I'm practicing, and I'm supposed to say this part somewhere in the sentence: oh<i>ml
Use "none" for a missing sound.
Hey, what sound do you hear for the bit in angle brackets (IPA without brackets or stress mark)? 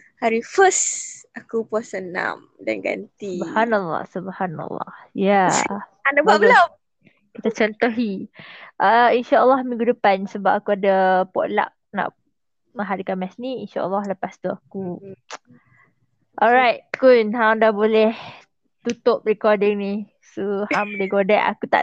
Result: a